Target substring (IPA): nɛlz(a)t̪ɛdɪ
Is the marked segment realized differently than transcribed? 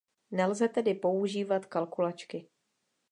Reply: yes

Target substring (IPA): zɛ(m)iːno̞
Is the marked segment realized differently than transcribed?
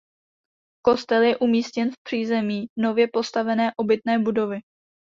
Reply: no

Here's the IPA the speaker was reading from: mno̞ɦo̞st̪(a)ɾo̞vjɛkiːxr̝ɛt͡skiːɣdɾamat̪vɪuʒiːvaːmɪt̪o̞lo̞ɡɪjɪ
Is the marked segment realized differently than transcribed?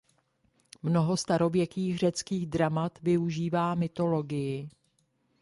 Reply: no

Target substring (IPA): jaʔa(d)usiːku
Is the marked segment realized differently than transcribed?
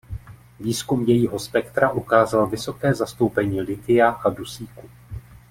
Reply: no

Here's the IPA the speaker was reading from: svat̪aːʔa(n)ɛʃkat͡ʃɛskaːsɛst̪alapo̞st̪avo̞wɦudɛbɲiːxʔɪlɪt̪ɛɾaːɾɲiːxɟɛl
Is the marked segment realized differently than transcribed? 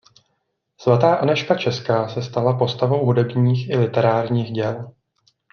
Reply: no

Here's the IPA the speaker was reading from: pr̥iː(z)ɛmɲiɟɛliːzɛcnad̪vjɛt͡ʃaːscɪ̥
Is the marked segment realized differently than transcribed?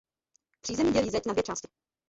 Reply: no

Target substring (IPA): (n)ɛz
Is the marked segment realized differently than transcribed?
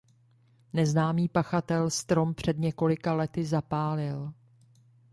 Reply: no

